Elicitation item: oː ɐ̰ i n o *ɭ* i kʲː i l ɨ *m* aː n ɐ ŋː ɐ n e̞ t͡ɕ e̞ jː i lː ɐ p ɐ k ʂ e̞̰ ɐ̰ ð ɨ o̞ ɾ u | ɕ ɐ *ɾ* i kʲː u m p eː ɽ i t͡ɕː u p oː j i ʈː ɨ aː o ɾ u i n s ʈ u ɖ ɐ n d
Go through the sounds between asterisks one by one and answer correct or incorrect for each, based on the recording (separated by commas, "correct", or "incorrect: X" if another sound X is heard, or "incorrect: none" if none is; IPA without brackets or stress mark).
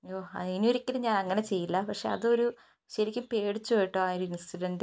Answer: incorrect: ɾ, incorrect: ɲ, correct